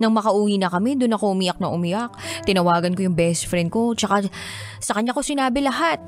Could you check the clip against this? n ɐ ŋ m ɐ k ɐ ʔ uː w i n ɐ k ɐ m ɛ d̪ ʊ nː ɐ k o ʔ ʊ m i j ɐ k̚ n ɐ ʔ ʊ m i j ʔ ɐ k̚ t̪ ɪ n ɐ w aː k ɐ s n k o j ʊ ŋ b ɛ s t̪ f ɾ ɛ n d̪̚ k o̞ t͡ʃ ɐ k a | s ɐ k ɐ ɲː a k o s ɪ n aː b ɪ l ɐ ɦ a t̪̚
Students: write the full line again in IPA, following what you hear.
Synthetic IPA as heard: n ɐ ŋ m ɐ k ɐ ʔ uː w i n ɐ k ɐ m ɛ d̪ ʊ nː ɐ k o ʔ ʊ m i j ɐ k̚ n ɐ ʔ ʊ m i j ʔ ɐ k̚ t̪ ɪ n ɐ w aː ɡ ɐ n k o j ʊ ŋ b ɛ s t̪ f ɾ ɛ n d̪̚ k o̞ t͡ʃ ɐ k a | s ɐ k ɐ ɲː a k o s ɪ n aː b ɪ l ɐ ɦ a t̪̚